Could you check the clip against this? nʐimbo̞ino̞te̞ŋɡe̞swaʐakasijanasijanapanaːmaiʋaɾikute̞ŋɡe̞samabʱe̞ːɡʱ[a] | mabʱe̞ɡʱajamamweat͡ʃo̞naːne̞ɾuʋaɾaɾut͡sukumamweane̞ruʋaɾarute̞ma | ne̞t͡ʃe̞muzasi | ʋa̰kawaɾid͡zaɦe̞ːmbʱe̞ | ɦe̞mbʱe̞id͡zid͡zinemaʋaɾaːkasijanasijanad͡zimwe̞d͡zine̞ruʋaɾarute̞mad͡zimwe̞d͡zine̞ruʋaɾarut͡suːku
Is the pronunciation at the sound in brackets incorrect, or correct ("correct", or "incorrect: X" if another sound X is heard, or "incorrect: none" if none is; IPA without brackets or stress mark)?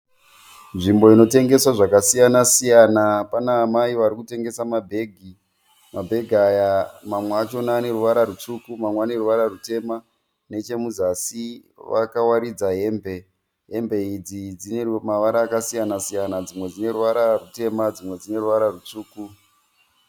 incorrect: i